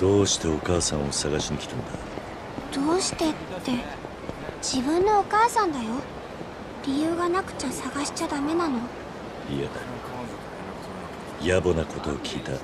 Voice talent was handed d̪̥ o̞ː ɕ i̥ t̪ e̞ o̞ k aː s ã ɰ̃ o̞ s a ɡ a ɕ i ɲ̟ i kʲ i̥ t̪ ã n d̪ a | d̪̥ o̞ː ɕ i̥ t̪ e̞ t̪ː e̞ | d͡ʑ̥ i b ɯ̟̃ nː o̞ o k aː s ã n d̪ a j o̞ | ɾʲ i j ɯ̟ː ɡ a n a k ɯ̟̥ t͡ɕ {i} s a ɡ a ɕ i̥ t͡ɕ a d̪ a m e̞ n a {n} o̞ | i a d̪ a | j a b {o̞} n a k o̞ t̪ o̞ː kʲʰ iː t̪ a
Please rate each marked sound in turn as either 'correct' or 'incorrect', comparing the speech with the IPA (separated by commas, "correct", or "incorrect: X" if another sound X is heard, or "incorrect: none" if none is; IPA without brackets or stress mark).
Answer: incorrect: a, correct, correct